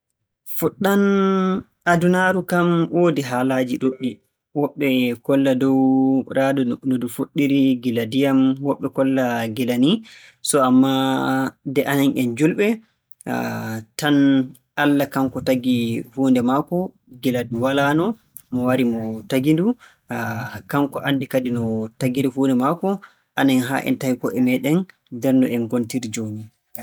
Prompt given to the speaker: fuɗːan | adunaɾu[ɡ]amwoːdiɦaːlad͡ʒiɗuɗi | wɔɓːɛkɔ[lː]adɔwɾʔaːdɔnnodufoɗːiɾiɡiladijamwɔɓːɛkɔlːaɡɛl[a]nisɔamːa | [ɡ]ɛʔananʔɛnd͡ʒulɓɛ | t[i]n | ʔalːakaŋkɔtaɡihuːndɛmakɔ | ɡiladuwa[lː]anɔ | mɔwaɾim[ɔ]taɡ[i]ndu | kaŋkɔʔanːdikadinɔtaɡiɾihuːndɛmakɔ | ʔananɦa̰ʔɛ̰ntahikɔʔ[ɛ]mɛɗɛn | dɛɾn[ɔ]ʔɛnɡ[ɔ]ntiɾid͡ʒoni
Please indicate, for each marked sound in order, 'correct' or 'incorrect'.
incorrect, correct, correct, incorrect, incorrect, incorrect, correct, correct, correct, correct, incorrect

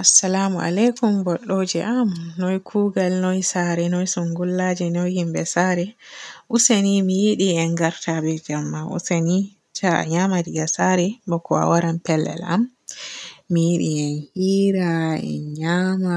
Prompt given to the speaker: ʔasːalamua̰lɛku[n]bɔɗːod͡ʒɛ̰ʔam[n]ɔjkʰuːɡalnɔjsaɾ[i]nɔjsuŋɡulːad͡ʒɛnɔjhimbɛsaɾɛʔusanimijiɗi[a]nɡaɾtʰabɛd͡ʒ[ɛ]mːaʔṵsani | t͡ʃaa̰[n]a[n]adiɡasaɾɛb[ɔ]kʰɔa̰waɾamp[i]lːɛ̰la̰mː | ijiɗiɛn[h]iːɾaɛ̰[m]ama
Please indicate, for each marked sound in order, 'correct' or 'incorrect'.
incorrect, correct, incorrect, incorrect, incorrect, incorrect, incorrect, correct, incorrect, correct, incorrect

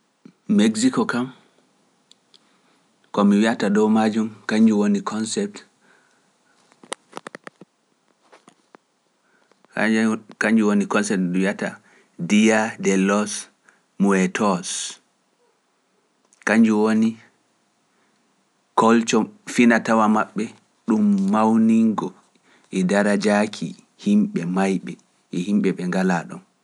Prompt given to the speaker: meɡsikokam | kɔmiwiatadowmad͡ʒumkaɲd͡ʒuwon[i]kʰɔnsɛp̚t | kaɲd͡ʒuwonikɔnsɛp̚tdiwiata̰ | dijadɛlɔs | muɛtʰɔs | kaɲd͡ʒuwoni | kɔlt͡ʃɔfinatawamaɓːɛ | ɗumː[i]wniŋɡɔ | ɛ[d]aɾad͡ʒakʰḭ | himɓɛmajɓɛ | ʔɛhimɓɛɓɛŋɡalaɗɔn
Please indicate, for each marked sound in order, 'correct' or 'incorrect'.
correct, incorrect, correct

